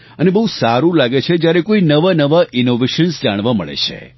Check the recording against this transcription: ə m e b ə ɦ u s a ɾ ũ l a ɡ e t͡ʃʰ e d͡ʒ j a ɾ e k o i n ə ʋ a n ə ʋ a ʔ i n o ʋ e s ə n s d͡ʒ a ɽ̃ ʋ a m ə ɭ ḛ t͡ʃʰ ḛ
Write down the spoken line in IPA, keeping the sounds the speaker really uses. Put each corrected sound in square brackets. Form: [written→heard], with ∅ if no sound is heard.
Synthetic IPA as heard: ə [m→n] e b ə ɦ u s a ɾ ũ l a ɡ e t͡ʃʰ e d͡ʒ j a ɾ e k o i n ə ʋ a n ə ʋ a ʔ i n o ʋ e [s→ʃ] ə n s d͡ʒ a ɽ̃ ʋ a m ə ɭ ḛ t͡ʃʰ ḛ